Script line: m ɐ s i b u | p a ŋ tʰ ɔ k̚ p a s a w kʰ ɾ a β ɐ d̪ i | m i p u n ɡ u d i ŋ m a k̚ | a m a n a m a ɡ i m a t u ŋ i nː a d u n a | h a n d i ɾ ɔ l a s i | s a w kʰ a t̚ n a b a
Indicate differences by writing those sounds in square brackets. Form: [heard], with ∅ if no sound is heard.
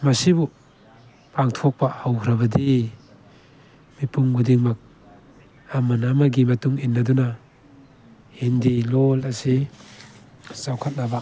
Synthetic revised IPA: m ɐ s i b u | p a ŋ tʰ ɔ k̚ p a [h] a w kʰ ɾ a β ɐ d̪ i | m i p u [ŋ] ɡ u d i ŋ m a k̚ | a m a n a m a ɡ i m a t u ŋ i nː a d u n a | h [i] n d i [l] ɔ l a s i | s a w kʰ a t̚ n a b a